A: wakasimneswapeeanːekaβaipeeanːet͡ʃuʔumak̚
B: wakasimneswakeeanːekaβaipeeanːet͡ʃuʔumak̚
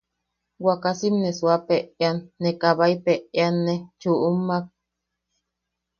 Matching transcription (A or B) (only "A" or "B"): A